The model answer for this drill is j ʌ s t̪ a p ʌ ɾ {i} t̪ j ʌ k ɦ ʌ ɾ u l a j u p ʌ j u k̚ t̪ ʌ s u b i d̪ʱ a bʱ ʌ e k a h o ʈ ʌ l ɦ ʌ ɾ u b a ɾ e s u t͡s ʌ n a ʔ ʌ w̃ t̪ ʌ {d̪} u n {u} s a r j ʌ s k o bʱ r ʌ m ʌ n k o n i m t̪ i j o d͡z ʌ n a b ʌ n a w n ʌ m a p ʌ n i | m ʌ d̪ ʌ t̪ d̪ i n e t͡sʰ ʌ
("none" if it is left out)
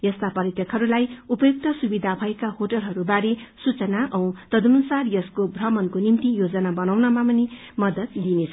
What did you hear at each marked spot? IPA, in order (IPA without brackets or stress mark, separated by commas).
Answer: i, d̪, u